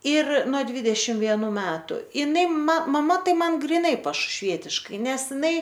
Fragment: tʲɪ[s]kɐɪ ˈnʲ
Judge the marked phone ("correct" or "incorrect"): incorrect